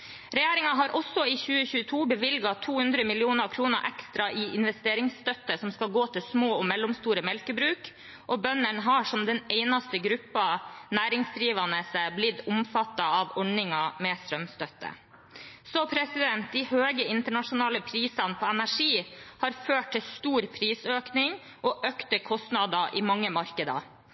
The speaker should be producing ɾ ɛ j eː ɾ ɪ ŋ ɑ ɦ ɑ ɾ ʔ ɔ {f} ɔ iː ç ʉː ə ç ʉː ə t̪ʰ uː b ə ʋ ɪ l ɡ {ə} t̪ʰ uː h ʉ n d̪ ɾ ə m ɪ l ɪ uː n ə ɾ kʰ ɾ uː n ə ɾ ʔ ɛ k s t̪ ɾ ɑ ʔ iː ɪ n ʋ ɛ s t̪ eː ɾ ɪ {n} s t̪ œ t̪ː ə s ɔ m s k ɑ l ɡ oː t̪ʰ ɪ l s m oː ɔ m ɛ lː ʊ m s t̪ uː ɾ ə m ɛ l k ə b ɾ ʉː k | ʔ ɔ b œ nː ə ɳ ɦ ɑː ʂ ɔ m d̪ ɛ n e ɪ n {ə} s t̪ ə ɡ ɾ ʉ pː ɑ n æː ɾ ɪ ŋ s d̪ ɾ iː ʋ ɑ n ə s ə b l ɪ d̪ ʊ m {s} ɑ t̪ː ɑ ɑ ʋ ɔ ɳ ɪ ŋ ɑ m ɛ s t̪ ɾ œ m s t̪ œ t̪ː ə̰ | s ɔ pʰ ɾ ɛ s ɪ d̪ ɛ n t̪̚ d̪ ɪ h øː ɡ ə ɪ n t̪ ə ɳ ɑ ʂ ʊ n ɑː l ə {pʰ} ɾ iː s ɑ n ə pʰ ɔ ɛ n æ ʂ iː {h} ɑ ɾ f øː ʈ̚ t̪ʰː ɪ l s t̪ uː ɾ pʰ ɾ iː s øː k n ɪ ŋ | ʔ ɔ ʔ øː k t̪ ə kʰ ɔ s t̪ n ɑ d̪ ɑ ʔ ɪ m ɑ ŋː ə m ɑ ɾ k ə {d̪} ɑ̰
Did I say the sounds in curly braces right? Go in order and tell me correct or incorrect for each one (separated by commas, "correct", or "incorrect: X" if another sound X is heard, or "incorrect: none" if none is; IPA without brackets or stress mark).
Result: incorrect: s, incorrect: ɑ, incorrect: ŋ, incorrect: ɑ, incorrect: f, correct, correct, correct